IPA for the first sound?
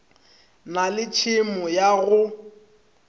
n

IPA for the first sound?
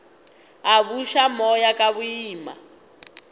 a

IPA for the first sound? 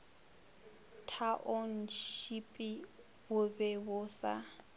tʰ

